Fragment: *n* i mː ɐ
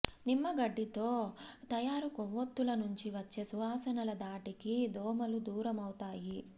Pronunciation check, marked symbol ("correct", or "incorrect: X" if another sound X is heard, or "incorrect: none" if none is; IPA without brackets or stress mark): correct